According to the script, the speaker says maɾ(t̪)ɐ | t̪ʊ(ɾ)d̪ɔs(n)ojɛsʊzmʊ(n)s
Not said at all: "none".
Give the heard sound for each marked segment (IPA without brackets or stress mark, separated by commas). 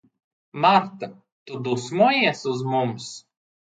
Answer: t̪, none, m, m